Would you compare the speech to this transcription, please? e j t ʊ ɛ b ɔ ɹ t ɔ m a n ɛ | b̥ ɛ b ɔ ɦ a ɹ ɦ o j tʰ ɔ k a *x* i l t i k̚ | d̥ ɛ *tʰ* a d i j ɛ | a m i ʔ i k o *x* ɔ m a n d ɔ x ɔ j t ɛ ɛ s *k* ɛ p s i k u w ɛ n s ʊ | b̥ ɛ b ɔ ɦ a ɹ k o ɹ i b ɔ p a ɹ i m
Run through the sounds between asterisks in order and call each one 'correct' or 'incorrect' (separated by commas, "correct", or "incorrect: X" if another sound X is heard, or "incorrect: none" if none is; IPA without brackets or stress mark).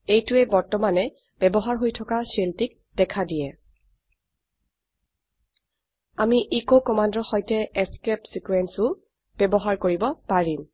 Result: incorrect: s, incorrect: kʰ, incorrect: k, correct